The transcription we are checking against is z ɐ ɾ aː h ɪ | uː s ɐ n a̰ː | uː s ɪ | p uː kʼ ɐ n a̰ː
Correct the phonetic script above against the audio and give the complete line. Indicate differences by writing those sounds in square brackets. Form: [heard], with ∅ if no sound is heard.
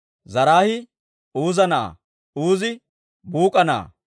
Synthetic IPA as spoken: z ɐ ɾ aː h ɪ | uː [z] ɐ n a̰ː | uː [z] ɪ | [b] uː kʼ ɐ n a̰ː